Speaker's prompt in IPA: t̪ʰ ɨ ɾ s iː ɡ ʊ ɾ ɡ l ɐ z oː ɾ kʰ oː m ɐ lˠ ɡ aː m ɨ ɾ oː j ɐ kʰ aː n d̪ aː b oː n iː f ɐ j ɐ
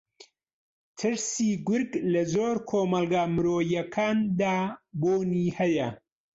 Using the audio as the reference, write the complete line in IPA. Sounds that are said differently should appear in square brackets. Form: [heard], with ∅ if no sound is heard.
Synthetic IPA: t̪ʰ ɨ ɾ s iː ɡ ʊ ɾ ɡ l ɐ z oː ɾ kʰ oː m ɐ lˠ ɡ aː m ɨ ɾ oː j ɐ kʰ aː n d̪ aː b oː n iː [h] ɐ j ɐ